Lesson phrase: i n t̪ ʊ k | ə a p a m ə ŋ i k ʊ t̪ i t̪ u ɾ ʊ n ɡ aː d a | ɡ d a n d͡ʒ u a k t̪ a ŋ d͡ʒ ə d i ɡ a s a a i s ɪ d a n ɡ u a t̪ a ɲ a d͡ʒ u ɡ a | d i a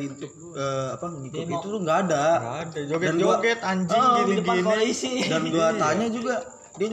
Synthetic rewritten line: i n t̪ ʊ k | ə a p a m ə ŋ i k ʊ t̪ i t̪ u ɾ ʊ ŋ ɡ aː d a | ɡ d a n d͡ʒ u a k t̪ a ɲ d͡ʒ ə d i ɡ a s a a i s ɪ d a n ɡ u a t̪ a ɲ a d͡ʒ u ɡ a | d i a